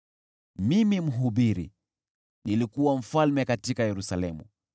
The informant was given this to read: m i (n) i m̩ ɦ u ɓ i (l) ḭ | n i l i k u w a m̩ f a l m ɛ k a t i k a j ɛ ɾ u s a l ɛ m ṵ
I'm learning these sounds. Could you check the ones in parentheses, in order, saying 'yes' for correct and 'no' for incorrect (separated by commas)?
no, no